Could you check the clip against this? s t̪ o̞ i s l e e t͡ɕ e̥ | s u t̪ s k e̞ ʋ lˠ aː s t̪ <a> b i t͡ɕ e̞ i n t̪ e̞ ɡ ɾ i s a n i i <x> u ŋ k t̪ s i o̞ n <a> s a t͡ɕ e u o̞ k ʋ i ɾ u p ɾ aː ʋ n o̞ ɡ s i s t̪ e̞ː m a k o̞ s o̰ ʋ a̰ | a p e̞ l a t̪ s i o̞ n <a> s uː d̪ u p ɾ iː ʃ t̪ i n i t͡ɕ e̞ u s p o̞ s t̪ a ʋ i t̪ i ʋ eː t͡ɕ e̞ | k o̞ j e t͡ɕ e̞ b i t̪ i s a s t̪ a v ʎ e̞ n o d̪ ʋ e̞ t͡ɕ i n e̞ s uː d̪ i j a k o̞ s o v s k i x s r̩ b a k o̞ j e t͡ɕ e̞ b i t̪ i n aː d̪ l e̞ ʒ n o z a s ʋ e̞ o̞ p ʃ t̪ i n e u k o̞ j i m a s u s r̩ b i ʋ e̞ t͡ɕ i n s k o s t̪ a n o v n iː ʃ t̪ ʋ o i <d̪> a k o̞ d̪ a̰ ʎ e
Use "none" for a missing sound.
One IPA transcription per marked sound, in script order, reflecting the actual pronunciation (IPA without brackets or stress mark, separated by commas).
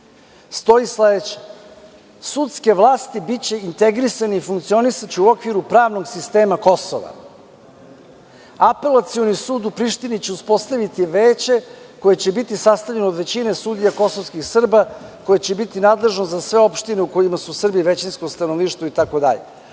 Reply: i, f, i, i, t̪